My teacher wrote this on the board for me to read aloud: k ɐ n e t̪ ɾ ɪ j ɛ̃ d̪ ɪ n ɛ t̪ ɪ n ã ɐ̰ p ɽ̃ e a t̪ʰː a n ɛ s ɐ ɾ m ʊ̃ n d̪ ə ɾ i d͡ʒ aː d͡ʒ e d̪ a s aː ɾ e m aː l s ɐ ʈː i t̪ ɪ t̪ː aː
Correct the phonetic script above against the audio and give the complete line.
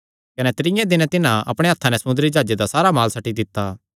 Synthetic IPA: k ɐ n ɛ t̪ ɾ ɪ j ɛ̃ d̪ ɪ n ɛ t̪ ɪ n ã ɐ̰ p ɽ̃ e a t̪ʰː a n ɛ s ɐ m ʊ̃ n d̪ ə ɾ i d͡ʒ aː d͡ʒ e d̪ a s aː ɾ a m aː l s ɐ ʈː i d̪ ɪ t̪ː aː